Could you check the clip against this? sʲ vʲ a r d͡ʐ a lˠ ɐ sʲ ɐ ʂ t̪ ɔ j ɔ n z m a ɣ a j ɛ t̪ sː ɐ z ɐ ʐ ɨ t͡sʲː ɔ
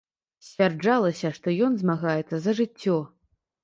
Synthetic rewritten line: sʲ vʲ a r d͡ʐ a lˠ ɐ sʲ ɐ ʂ t̪ ɔ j ɔ n z m a ɣ a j ɛ t̪ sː ɐ z ɐ ʐ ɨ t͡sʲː ɔ